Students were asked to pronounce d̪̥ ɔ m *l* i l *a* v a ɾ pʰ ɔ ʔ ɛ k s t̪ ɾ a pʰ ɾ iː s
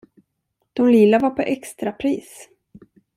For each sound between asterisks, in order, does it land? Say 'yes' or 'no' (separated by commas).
yes, yes